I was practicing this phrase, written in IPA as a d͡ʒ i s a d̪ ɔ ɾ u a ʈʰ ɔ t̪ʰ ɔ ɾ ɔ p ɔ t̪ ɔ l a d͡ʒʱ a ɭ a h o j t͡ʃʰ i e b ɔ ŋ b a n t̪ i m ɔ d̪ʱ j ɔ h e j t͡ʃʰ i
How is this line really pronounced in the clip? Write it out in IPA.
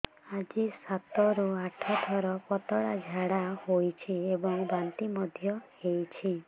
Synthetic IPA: a d͡ʒ i s a t̪ ɔ ɾ u a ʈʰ ɔ t̪ʰ ɔ ɾ ɔ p ɔ t̪ ɔ ɽ a d͡ʒʱ a ɽ a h o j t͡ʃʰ i e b ɔ ŋ b a n t̪ i m ɔ d̪ʱ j ɔ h e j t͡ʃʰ i